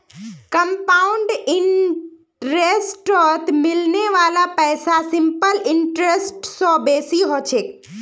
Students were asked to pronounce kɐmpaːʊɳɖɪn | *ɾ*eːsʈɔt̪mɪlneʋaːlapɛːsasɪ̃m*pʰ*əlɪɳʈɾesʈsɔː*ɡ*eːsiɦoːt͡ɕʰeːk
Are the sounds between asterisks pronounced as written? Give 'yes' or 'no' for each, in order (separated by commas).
yes, no, no